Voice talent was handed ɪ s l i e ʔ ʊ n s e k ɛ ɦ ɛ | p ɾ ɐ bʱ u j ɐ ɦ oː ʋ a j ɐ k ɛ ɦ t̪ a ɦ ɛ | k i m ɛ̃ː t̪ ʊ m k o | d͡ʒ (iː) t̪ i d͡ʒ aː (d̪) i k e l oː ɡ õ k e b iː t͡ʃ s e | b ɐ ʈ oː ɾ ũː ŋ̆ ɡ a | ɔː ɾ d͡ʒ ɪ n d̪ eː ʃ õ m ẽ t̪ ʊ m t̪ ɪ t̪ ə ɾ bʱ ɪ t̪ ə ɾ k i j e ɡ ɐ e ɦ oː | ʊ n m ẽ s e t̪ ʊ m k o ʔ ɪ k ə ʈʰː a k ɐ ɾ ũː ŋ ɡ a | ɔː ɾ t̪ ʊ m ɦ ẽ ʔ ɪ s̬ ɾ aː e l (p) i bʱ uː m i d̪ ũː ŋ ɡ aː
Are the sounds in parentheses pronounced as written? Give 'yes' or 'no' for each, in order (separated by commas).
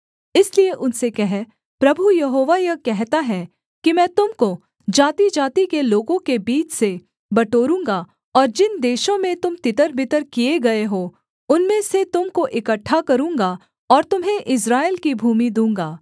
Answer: no, no, no